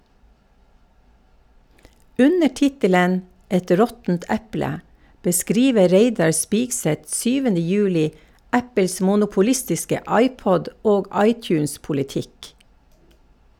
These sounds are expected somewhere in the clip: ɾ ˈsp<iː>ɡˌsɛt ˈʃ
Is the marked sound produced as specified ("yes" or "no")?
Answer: yes